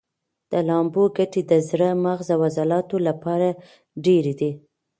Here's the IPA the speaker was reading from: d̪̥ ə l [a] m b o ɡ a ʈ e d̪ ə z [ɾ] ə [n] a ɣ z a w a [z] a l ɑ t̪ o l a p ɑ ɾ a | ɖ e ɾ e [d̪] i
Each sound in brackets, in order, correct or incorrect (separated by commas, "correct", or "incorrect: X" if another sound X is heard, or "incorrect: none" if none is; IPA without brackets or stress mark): incorrect: ɑ, correct, incorrect: m, correct, correct